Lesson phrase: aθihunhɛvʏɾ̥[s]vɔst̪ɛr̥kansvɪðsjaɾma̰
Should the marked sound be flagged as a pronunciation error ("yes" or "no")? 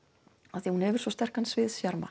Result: no